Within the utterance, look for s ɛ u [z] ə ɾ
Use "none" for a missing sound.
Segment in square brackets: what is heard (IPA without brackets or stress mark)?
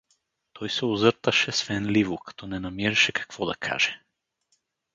z